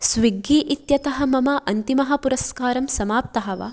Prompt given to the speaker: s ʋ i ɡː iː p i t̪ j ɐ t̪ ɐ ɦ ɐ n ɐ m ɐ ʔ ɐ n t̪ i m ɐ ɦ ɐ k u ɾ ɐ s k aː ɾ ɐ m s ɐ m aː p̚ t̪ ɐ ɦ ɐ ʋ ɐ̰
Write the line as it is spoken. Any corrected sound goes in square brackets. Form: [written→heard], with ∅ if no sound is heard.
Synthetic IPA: s ʋ i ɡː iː [p→ʔ] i t̪ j ɐ t̪ ɐ ɦ ɐ [n→m] ɐ m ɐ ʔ ɐ n t̪ i m ɐ ɦ ɐ [k→p] u ɾ ɐ s k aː ɾ ɐ m s ɐ m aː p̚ t̪ ɐ ɦ ɐ ʋ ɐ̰